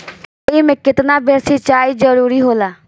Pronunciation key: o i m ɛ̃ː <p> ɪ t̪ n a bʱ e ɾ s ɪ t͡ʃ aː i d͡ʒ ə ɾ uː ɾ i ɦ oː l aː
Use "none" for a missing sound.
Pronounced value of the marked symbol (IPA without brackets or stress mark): k